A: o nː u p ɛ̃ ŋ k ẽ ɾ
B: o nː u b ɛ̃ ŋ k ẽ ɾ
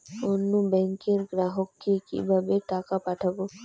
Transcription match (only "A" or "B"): B